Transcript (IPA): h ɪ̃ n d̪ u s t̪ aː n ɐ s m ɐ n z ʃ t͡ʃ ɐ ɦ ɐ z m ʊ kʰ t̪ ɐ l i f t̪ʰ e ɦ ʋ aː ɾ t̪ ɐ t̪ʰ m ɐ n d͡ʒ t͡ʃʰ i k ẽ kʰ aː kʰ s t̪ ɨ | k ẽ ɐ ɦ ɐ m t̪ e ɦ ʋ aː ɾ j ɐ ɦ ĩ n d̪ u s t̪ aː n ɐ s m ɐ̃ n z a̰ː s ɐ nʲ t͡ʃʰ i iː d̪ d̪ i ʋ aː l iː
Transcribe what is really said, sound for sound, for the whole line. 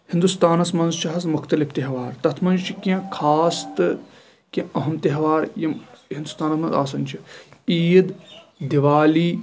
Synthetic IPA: h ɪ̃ n d̪ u s t̪ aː n ɐ s m ɐ n z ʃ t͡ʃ ɐ ɦ ɐ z m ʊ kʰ t̪ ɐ l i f t̪ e ɦ ʋ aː ɾ t̪ ɐ t̪ʰ m ɐ n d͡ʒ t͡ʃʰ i k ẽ kʰ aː s t̪ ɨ | k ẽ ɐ ɦ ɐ m t̪ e ɦ ʋ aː ɾ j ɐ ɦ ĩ n d̪ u s t̪ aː n ɐ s m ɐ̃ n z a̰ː s ɐ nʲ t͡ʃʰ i iː d̪ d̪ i ʋ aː l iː